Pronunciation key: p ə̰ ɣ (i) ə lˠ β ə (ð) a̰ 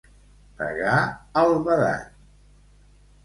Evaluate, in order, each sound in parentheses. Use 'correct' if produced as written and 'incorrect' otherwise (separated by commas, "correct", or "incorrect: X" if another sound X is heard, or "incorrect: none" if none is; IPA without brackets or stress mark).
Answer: incorrect: a, correct